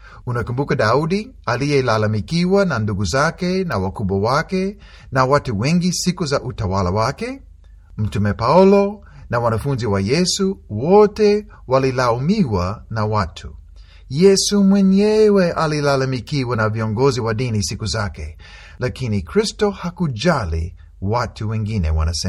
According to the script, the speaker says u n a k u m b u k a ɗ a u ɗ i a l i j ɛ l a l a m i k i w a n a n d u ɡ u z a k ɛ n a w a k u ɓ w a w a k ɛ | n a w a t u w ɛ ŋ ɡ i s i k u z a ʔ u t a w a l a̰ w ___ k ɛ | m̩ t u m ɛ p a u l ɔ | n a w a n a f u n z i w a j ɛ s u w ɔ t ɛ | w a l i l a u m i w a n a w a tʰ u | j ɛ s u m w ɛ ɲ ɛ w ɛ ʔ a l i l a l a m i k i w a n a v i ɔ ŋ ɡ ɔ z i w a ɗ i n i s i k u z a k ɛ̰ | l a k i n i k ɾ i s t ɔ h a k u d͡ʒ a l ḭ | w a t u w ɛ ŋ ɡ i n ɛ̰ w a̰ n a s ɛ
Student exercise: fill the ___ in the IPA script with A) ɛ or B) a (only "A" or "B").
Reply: B